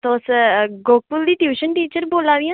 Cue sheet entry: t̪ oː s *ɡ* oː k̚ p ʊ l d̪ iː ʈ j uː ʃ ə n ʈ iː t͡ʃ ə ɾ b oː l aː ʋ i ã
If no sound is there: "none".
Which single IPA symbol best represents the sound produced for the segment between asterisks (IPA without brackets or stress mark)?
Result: ɡ